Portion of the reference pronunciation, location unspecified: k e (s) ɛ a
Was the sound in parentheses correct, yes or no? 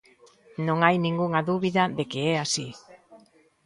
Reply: no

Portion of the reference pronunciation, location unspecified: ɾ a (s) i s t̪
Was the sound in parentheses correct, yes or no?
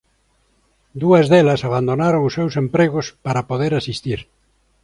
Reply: yes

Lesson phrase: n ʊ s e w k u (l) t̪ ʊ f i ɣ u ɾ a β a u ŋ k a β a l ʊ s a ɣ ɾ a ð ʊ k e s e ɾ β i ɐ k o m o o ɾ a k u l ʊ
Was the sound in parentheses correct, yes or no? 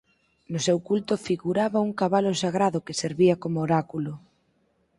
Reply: yes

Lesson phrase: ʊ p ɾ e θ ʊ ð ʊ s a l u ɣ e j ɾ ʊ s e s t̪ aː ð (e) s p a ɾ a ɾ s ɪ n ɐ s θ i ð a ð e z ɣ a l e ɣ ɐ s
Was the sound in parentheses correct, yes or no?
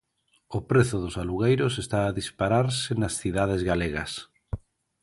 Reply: no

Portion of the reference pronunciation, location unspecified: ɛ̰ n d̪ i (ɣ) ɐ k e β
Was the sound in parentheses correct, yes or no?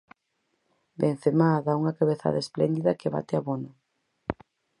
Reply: no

